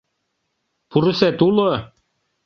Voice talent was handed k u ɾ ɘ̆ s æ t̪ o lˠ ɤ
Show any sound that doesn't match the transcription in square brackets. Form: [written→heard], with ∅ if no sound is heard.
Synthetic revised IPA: [k→p] u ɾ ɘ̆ s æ t̪ [o→u] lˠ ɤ